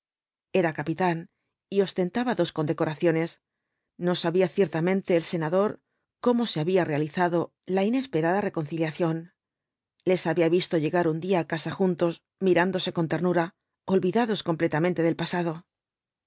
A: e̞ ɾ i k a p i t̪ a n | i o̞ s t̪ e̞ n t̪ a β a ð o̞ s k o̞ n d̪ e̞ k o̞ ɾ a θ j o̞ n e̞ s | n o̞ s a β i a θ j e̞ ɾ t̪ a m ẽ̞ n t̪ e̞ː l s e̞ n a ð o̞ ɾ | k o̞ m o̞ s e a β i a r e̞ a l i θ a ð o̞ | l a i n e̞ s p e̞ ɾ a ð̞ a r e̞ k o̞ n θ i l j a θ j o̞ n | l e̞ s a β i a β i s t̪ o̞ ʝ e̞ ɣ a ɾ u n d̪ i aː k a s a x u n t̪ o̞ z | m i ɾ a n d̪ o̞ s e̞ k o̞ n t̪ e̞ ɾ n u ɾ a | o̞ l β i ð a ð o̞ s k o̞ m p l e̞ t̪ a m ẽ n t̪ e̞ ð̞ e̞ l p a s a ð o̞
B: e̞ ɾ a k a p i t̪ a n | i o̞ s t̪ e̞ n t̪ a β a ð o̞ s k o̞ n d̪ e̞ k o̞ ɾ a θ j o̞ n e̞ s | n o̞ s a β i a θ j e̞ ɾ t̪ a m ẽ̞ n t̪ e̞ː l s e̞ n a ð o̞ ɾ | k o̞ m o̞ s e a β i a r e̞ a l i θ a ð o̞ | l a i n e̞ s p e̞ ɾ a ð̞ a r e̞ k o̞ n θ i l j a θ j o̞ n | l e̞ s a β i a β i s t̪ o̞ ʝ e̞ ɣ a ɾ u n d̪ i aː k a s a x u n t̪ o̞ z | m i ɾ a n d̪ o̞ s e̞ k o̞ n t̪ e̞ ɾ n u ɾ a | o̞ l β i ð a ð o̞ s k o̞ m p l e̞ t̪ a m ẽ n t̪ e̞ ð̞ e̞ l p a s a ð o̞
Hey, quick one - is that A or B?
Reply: B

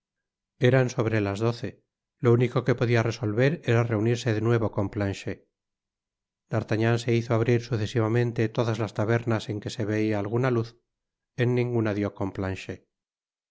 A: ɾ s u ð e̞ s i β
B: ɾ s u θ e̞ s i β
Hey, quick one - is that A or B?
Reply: B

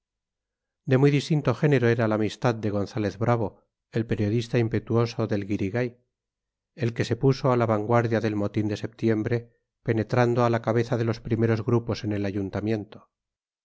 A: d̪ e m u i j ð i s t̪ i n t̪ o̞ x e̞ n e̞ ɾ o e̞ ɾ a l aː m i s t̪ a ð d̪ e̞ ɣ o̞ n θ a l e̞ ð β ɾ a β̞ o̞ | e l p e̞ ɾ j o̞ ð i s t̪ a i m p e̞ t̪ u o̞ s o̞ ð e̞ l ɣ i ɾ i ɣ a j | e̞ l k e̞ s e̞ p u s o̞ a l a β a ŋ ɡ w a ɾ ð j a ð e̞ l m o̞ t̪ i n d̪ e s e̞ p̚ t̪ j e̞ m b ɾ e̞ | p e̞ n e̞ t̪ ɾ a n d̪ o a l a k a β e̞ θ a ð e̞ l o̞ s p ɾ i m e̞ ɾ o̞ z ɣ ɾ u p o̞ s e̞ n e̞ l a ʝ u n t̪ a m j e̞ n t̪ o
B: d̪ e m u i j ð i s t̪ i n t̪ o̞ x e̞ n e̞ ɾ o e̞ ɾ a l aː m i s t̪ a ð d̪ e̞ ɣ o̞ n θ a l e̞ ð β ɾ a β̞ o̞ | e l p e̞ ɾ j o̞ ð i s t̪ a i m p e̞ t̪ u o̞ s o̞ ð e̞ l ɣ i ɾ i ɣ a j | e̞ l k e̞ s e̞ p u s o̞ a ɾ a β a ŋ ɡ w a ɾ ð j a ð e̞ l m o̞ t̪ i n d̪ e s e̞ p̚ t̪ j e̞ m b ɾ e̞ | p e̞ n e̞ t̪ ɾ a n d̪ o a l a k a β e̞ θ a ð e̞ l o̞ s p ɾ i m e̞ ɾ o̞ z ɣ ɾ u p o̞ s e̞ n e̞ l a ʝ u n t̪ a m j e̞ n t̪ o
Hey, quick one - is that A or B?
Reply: A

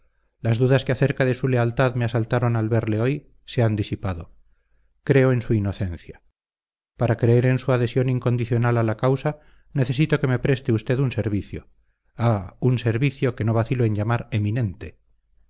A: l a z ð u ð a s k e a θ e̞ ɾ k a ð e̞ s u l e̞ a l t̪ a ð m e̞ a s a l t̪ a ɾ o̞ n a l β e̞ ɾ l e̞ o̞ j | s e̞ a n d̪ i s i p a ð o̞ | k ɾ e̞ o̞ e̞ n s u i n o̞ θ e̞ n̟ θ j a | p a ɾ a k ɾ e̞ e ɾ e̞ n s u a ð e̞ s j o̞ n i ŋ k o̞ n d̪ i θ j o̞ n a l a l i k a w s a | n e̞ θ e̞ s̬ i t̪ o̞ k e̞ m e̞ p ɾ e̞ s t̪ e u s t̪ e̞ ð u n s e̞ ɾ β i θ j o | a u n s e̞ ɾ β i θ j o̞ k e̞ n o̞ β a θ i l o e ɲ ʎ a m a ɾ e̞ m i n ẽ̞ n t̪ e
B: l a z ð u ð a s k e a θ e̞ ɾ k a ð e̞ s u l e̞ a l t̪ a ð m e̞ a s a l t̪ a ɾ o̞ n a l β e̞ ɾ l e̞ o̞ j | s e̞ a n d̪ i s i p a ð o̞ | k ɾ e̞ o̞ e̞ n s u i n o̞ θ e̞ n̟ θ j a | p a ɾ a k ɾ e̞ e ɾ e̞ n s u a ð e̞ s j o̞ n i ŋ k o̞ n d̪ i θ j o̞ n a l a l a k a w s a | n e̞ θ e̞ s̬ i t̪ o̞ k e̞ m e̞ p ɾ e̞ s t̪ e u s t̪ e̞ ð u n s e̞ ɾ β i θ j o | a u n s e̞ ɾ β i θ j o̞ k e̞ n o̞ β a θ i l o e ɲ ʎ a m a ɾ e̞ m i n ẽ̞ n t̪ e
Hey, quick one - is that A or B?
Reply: B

